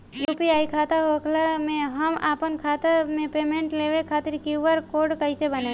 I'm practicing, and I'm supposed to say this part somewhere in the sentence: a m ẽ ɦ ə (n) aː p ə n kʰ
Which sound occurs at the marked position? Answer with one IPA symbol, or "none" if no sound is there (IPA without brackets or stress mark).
m